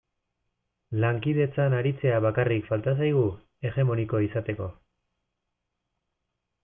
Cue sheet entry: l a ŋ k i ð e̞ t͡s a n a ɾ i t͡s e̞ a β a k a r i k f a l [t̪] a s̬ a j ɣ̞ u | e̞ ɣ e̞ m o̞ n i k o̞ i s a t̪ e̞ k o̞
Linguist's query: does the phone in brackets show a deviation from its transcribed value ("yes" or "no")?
no